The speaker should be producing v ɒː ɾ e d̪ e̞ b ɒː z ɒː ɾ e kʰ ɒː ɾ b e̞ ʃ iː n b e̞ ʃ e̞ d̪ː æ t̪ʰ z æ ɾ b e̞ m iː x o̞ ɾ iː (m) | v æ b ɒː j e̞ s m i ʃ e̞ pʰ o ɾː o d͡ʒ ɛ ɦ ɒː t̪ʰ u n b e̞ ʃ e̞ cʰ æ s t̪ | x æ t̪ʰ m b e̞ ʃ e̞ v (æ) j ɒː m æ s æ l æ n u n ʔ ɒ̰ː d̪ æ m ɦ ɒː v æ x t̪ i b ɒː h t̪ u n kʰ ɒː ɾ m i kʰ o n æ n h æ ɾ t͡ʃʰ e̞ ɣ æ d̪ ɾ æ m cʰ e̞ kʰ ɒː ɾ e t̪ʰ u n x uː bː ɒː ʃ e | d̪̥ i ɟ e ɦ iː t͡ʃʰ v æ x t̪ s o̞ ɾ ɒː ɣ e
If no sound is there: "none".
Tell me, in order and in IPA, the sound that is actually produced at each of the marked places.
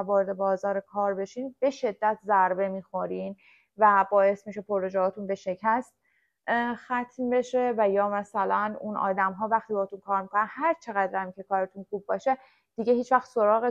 n, æ

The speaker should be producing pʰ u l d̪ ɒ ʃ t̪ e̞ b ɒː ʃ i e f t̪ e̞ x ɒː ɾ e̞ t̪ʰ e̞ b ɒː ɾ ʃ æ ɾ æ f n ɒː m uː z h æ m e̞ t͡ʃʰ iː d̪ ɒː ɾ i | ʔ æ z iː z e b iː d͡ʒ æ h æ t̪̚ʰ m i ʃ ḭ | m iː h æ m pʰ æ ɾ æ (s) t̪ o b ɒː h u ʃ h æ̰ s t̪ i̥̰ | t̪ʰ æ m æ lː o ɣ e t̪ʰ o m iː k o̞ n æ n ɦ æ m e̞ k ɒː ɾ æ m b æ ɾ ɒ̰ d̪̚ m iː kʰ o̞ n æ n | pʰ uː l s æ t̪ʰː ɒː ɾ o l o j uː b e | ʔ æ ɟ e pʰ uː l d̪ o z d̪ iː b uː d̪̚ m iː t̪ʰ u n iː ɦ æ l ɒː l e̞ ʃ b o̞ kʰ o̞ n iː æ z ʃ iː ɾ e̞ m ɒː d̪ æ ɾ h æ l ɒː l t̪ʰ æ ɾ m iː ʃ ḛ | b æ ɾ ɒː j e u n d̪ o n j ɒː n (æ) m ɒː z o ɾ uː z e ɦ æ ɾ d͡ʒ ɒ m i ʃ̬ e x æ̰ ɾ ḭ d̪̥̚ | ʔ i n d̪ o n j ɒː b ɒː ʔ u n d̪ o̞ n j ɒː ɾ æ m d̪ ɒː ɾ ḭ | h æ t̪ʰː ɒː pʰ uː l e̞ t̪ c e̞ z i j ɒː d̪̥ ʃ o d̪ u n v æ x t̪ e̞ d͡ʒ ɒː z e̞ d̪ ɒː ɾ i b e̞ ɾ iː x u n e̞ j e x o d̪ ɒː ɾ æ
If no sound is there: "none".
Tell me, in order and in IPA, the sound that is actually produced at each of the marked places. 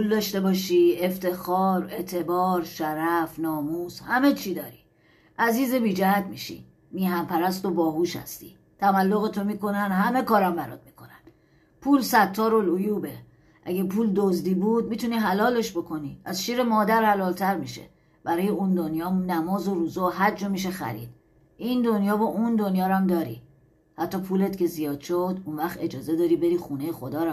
s, æ

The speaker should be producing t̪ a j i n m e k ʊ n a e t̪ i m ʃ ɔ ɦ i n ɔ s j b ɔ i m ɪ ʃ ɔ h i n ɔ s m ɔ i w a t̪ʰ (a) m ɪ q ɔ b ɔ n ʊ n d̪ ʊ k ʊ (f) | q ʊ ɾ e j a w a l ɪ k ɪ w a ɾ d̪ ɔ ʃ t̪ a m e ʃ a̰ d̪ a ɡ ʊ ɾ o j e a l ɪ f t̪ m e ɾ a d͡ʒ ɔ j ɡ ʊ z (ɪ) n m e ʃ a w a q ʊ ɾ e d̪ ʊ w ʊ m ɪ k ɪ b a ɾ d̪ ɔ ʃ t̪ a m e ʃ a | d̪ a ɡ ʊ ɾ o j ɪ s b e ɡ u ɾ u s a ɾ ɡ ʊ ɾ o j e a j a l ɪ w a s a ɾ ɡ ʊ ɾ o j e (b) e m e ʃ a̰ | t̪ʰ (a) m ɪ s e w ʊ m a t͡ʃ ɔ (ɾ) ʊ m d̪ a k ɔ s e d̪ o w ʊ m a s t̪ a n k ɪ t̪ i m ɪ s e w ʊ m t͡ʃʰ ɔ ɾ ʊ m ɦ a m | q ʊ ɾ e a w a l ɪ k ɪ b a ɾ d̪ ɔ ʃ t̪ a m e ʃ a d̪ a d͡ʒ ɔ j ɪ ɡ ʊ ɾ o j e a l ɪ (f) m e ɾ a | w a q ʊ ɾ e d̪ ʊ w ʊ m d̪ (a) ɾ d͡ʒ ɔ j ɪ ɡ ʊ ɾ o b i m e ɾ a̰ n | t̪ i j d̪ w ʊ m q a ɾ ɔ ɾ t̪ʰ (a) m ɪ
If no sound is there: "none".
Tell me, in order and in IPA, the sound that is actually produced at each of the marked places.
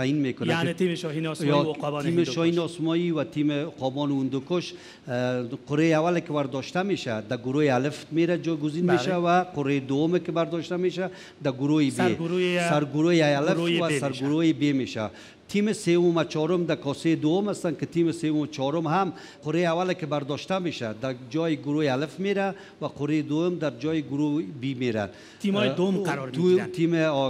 i, ʃ, i, b, i, ɾ, f, a, i

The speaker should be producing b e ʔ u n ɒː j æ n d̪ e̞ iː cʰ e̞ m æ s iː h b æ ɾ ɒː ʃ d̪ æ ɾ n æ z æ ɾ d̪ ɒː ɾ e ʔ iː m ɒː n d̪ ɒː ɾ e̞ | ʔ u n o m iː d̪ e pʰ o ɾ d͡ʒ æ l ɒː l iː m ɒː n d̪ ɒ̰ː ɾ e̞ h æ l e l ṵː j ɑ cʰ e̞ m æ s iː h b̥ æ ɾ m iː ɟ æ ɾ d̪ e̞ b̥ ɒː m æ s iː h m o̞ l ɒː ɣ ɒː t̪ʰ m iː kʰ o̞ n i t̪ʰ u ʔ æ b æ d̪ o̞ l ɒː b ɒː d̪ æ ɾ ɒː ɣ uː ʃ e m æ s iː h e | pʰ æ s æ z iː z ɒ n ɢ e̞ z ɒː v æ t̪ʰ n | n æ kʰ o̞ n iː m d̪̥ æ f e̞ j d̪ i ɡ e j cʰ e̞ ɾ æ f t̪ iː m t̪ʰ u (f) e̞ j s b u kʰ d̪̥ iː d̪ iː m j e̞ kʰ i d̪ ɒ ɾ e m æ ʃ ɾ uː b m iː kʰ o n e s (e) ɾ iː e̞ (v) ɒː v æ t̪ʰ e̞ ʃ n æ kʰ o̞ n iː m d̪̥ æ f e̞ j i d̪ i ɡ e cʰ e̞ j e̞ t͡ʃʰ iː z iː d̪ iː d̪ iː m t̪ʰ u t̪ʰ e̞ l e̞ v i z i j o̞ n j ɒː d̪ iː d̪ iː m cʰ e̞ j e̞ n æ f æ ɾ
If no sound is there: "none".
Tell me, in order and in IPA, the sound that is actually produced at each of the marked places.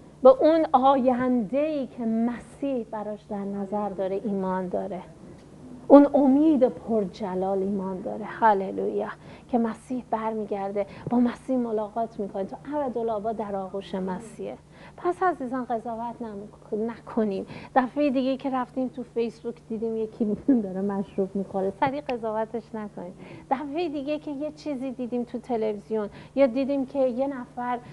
f, æ, z

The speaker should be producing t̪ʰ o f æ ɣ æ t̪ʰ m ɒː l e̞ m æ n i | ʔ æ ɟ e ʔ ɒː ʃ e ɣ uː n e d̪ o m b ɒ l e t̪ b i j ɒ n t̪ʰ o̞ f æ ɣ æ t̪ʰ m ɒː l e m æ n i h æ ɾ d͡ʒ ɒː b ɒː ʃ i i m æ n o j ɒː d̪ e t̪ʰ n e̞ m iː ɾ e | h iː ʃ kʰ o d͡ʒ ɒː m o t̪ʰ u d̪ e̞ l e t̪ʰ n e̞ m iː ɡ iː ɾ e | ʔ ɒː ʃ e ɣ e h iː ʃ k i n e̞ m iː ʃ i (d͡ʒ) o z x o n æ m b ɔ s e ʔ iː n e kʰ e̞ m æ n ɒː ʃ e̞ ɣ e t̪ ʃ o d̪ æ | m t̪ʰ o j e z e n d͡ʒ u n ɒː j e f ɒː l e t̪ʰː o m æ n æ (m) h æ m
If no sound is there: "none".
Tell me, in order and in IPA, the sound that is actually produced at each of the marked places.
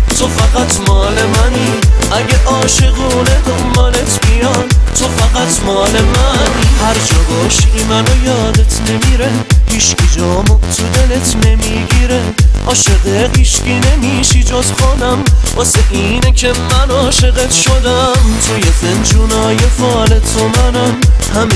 d͡ʒ, m

